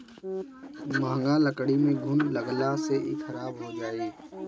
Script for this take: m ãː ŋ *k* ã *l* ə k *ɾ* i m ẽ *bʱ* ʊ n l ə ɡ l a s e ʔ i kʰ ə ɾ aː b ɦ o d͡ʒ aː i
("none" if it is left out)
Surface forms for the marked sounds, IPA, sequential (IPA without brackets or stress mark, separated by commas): ɡ, l, ɽ, ɡʱ